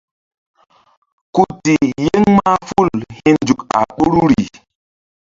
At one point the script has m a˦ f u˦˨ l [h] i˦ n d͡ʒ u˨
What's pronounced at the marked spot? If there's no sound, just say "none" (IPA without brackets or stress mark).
h